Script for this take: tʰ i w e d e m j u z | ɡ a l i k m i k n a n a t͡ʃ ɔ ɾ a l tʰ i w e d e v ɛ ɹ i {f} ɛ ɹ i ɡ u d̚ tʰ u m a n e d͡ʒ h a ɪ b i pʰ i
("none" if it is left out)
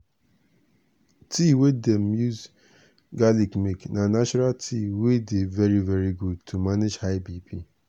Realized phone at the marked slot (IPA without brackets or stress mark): v